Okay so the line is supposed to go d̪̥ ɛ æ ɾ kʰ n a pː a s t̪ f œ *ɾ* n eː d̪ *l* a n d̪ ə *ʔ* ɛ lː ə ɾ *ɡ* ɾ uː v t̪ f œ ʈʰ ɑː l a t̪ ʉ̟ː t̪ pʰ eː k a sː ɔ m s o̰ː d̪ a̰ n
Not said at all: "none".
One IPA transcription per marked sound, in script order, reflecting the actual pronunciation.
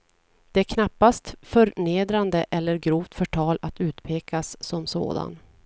ɾ, ɾ, ʔ, ɡ

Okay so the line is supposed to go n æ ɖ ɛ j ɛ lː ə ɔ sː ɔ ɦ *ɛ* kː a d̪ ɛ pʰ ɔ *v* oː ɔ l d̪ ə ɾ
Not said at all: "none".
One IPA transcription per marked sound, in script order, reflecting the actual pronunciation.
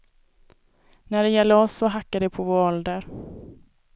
a, v

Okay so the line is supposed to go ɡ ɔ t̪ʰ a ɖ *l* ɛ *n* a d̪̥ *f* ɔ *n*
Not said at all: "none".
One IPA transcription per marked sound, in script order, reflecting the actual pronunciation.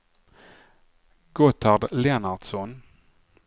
l, n, s, n

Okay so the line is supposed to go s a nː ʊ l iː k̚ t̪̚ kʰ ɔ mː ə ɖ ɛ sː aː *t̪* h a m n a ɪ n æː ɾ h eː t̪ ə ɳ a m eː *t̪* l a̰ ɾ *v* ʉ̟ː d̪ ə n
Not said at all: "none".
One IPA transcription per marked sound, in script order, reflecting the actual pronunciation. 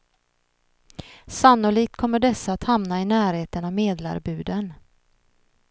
t̪, d̪, b

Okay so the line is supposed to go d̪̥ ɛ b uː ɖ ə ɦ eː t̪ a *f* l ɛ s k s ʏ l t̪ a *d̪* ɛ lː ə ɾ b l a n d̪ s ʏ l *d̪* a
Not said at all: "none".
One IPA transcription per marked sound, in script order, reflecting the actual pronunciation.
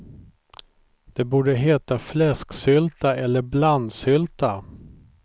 f, none, t̪

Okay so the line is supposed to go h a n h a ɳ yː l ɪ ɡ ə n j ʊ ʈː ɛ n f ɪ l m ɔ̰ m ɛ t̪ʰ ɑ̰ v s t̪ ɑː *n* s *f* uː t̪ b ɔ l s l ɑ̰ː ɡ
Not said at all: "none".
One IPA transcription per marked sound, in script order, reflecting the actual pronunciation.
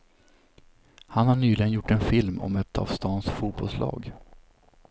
n, f

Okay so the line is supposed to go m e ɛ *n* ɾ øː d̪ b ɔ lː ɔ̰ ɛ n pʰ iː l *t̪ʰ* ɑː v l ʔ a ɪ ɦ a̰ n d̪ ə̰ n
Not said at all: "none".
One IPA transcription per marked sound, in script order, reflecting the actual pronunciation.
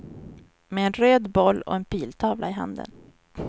n, t̪ʰ

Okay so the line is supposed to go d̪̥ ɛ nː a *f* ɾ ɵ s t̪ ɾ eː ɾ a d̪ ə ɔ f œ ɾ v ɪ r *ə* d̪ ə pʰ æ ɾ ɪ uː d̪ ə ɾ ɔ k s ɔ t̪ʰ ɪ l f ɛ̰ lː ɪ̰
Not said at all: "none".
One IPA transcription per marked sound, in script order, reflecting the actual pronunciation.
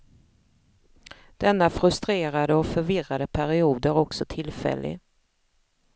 f, a

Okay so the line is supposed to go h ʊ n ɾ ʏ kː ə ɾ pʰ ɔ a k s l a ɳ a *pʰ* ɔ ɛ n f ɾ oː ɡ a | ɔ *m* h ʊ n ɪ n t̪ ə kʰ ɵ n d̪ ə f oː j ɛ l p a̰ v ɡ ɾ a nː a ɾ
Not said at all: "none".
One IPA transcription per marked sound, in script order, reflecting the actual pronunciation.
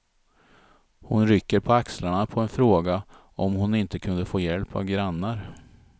pʰ, m

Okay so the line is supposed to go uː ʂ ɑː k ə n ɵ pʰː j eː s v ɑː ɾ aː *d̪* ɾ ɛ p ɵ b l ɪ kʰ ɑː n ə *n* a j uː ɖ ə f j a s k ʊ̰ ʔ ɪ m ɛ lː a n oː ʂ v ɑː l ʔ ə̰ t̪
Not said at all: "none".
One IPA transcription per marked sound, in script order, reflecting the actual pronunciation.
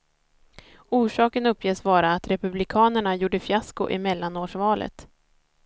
t̪, ɳ

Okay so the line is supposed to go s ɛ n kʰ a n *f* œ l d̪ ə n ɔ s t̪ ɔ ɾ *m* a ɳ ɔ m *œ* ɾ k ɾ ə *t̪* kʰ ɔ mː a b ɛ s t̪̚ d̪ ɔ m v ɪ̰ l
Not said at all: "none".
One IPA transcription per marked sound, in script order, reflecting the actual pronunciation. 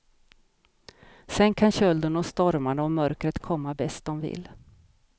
ɕ, m, œ, t̪

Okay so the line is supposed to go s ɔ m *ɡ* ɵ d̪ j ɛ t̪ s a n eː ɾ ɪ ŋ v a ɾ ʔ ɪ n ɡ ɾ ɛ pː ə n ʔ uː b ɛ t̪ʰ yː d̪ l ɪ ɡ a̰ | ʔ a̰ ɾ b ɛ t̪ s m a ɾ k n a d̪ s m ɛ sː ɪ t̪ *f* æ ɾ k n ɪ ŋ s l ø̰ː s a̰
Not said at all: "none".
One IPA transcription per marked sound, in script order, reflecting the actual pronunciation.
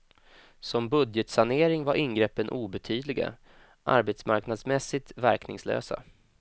b, v

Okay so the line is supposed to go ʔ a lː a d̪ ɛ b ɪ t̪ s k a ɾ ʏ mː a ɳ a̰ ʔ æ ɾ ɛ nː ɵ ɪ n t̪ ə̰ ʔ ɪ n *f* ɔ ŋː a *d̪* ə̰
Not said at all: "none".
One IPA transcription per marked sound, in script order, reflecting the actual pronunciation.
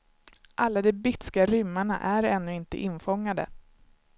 f, d̪

